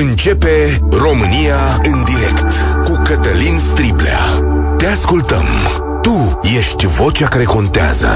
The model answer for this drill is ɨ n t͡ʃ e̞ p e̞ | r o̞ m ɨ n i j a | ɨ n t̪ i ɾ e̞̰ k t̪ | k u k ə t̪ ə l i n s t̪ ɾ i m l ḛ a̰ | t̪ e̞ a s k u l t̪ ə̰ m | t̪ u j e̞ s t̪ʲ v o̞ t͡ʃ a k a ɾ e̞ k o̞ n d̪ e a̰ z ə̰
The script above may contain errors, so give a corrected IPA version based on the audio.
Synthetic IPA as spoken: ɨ n t͡ʃ e̞ p e̞ | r o̞ m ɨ n i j a | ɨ n d̪ i ɾ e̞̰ k t̪ | k u k ə t̪ ə l i n s t̪ ɾ i b l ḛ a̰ | t̪ e̞ a s k u l t̪ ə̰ m | t̪ u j e̞ ʃ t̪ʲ v o̞ t͡ʃ a k a ɾ e̞ k o̞ n t̪ e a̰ z ə̰